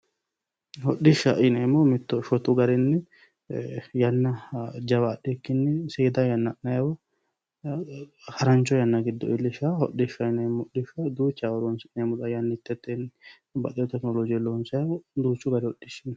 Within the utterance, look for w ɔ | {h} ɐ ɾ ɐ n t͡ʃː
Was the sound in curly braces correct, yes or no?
yes